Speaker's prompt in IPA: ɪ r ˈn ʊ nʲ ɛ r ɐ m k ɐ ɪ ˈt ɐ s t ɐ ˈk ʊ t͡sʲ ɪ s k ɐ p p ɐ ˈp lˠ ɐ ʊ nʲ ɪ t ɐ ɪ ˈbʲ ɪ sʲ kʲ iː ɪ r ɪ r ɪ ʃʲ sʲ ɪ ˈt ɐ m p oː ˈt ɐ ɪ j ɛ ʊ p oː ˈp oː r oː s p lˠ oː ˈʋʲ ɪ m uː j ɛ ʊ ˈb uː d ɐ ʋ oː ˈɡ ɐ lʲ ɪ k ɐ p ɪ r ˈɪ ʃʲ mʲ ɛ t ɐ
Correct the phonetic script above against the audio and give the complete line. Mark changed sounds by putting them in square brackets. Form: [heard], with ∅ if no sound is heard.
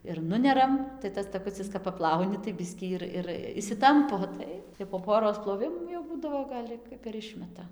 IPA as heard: ɪ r ˈn ʊ nʲ ɛ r ɐ m [t] ɐ ɪ ˈt ɐ s t ɐ ˈk ʊ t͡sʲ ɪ s k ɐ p p ɐ ˈp lˠ ɐ ʊ nʲ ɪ t ɐ ɪ ˈbʲ ɪ sʲ kʲ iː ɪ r ɪ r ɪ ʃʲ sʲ ɪ ˈt ɐ m p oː ˈt ɐ ɪ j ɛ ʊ p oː ˈp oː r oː s p lˠ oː ˈʋʲ ɪ m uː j ɛ ʊ ˈb uː d ɐ ʋ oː ˈɡ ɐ lʲ ɪ k ɐ p ɪ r ˈɪ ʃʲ mʲ ɛ t ɐ